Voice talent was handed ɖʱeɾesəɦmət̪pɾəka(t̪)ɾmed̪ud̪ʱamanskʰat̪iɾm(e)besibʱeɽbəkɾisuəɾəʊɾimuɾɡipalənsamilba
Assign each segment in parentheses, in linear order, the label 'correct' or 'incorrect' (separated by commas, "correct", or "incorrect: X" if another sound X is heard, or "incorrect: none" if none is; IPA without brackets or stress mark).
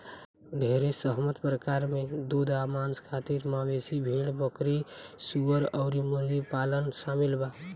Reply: incorrect: none, incorrect: a